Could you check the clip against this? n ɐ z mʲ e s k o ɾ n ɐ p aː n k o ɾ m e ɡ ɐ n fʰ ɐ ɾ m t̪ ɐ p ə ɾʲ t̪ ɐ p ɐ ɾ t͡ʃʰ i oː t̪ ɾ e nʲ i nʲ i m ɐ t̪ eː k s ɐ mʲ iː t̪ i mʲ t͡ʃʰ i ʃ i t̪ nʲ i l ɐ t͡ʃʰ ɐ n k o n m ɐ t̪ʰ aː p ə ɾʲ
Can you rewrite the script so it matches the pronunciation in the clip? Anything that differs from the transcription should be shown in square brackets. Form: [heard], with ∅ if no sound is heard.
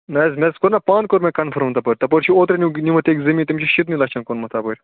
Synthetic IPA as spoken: n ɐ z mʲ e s k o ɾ n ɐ p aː n k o ɾ m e [k] ɐ n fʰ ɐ ɾ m t̪ ɐ p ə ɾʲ t̪ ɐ p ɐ ɾ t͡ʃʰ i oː t̪ ɾ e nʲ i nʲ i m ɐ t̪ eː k [z] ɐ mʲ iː t̪ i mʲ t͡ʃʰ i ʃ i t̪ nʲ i l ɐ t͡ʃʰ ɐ n k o n m ɐ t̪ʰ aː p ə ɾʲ